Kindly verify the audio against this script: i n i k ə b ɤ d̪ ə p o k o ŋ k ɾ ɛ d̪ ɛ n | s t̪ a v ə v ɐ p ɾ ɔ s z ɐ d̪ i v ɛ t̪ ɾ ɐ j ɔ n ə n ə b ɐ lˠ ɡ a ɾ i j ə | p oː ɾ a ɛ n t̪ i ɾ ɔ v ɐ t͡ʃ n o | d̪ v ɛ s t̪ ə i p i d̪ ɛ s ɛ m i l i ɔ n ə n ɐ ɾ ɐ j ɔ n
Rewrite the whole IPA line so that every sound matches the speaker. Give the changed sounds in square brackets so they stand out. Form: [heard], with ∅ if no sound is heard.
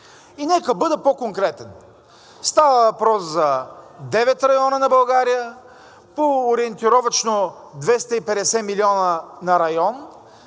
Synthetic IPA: i n [ɛ] k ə b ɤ d̪ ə p o k o ŋ k ɾ ɛ [t̪] ɛ n | s t̪ a v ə v ɐ p ɾ ɔ s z ɐ d̪ [ɛ] v ɛ t̪ ɾ ɐ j ɔ n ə n [ɐ] b ɐ lˠ ɡ a ɾ i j ə | p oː ɾ [i] ɛ n t̪ i ɾ ɔ v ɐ t͡ʃ n o | d̪ v ɛ s t̪ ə i p [ɛ] d̪ ɛ s ɛ m i l i ɔ n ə n ɐ ɾ ɐ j ɔ n